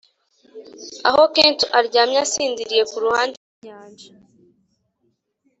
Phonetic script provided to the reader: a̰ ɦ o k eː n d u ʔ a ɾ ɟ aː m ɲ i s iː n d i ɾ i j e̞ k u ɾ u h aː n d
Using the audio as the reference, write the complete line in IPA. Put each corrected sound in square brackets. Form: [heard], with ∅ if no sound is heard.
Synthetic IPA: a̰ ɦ o k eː n [t] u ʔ a ɾ ɟ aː m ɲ [a] s iː n d i ɾ i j e̞ k u ɾ u h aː n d